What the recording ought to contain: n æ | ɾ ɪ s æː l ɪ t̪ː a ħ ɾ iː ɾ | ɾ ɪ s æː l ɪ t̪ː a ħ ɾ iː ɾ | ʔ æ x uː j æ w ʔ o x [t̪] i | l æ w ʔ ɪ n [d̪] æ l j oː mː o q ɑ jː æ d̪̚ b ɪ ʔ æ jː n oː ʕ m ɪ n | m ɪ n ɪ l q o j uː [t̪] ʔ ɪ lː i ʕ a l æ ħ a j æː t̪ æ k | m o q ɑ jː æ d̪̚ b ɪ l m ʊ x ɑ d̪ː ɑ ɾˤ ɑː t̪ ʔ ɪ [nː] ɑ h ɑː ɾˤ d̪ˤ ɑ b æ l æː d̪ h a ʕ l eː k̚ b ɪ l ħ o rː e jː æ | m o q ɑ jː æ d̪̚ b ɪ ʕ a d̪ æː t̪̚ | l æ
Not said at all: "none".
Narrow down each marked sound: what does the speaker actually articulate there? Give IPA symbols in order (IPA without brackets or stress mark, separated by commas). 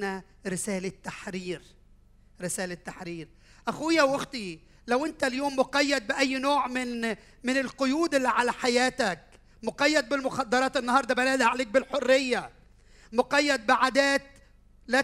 t̪, t̪, d̪, nː